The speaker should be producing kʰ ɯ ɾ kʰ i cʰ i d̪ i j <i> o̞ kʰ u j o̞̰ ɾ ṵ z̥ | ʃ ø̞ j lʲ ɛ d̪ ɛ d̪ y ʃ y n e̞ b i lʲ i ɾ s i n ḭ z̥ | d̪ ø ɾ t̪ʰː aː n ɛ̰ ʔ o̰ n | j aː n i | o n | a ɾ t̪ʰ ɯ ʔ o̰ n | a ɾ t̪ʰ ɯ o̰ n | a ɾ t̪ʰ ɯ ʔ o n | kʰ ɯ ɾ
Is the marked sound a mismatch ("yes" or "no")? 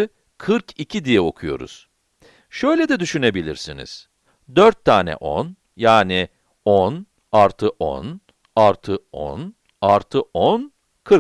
yes